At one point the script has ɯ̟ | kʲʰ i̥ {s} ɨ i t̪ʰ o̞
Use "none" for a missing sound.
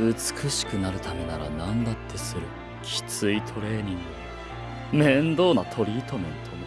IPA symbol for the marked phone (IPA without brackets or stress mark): t͡s